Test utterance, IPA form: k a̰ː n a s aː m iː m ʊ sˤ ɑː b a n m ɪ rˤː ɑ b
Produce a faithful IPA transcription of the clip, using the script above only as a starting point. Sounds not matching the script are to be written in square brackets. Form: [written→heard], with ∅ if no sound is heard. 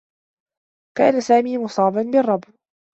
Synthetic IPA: k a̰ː n a s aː m iː m ʊ sˤ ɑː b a n [m→b] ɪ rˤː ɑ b